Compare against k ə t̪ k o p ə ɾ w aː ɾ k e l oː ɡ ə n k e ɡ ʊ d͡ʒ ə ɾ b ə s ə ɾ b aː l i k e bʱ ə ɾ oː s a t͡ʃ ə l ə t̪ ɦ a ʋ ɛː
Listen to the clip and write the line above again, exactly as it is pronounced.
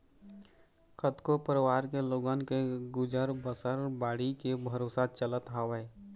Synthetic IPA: k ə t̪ k o p ə ɾ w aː ɾ k e l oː ɡ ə n k e ɡ ʊ d͡ʒ ə ɾ b ə s ə ɾ b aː ɽ i k e bʱ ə ɾ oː s a t͡ʃ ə l ə t̪ ɦ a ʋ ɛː